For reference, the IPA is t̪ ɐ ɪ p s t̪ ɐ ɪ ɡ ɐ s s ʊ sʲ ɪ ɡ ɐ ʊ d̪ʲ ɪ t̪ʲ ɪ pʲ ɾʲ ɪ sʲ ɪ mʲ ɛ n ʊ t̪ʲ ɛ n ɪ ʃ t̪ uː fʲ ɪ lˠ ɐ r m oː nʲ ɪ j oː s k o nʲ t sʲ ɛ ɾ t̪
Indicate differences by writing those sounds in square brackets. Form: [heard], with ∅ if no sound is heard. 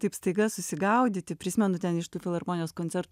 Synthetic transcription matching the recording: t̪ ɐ ɪ p s t̪ ɐ ɪ ɡ ɐ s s ʊ sʲ ɪ ɡ ɐ ʊ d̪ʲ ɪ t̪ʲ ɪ pʲ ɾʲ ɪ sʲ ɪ mʲ ɛ n ʊ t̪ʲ ɛ n ɪ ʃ t̪ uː fʲ ɪ lˠ ɐ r m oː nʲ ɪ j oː s k o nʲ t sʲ ɛ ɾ t̪